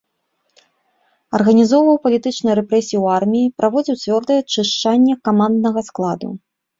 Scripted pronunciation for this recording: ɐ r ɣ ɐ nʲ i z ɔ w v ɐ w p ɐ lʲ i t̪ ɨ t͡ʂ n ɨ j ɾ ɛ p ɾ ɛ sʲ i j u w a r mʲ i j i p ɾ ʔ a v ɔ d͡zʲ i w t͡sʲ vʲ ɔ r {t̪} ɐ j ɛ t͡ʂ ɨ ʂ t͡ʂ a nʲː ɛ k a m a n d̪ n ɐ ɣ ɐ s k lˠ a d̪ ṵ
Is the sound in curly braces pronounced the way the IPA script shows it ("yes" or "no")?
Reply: no